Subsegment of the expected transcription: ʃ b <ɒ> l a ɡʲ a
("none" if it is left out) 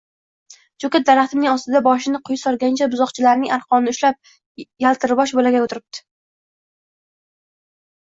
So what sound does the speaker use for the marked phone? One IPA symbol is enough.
o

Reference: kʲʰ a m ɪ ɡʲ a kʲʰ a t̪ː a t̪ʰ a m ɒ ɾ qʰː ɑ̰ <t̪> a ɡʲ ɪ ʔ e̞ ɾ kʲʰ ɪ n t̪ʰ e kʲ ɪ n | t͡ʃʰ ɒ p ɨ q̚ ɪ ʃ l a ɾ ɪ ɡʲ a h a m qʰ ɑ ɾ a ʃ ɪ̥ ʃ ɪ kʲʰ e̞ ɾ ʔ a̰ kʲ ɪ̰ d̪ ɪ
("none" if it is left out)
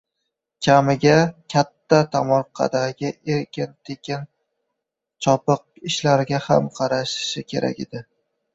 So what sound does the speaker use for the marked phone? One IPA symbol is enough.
d̪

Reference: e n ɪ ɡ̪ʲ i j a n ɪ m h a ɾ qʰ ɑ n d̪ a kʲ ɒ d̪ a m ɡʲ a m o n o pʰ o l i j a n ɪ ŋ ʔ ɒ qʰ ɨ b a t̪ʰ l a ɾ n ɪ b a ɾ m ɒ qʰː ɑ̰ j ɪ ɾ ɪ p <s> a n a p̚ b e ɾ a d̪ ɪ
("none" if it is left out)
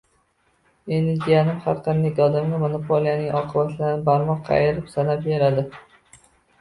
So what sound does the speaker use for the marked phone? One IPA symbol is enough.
s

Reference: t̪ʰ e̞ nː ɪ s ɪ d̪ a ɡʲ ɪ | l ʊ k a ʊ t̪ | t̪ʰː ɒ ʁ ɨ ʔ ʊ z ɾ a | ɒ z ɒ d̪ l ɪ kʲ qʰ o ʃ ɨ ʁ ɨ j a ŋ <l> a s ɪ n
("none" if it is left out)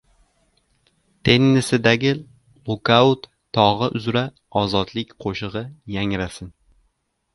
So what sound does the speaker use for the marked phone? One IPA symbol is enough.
ɾ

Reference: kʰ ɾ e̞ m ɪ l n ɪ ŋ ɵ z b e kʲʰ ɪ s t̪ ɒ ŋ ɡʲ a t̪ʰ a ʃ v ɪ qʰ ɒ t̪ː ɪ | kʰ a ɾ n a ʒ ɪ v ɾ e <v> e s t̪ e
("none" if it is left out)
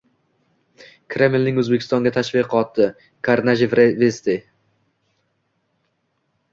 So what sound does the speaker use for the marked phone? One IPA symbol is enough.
v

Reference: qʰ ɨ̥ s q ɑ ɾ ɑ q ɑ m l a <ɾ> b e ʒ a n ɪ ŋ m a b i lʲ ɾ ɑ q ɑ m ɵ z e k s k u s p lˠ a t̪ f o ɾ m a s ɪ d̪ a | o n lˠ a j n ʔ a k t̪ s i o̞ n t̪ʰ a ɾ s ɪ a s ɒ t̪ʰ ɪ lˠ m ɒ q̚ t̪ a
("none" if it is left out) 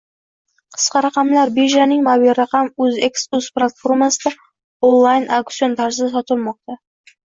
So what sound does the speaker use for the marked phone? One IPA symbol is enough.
ɾ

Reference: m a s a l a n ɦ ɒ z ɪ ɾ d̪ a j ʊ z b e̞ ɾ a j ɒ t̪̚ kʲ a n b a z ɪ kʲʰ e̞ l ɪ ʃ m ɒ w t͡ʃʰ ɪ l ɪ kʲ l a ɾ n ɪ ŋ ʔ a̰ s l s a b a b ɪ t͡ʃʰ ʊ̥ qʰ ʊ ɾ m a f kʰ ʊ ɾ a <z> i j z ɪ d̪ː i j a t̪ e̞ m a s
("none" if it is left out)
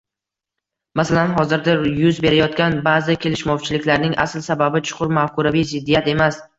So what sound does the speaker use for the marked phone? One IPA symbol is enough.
v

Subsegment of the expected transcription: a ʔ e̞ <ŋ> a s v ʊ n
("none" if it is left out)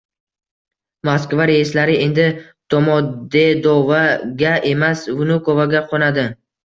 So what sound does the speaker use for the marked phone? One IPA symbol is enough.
m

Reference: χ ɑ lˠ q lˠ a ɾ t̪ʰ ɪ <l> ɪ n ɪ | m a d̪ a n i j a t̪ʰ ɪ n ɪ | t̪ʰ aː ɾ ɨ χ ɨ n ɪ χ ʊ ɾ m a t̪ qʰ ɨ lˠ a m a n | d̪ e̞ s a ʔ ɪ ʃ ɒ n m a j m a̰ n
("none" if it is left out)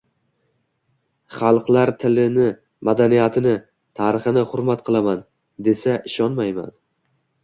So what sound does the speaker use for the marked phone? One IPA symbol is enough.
l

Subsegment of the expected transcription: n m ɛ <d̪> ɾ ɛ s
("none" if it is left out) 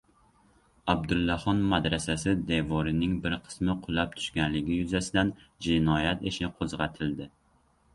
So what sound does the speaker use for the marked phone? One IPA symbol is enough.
d̪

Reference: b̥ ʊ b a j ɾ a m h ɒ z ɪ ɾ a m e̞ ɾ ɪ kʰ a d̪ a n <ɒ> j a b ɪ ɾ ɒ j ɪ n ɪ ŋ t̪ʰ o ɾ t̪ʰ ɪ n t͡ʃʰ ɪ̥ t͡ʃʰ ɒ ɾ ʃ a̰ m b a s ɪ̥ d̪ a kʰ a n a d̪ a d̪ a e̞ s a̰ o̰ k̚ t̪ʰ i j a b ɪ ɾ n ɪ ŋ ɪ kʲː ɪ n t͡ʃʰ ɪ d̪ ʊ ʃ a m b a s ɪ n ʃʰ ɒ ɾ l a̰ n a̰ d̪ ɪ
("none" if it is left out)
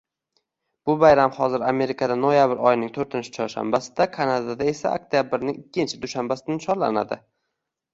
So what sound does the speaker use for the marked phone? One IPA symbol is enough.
o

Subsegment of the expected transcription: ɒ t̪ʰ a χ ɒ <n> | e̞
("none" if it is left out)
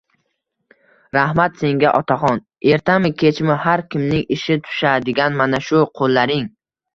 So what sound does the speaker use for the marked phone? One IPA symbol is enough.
n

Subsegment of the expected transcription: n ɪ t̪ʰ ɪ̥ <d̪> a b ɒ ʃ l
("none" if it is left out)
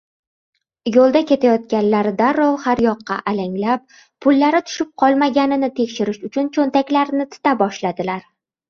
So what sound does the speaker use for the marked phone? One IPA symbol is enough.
t̪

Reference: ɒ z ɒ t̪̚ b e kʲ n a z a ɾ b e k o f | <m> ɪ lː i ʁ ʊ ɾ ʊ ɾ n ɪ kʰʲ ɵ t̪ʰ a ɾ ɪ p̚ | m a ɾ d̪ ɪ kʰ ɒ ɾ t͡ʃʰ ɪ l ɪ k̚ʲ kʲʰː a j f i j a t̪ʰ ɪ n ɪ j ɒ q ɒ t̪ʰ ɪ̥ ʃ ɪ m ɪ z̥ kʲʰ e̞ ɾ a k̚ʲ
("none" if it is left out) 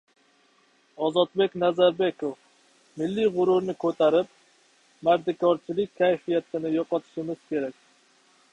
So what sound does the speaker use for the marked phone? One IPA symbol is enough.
m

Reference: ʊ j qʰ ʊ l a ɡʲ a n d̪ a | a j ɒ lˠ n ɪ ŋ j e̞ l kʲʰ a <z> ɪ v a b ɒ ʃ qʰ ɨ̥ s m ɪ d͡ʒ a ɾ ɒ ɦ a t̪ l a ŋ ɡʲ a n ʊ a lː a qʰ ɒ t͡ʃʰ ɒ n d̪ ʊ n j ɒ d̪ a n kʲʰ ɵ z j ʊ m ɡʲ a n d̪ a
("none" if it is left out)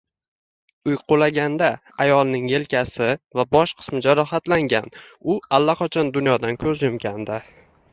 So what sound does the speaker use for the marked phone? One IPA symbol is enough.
s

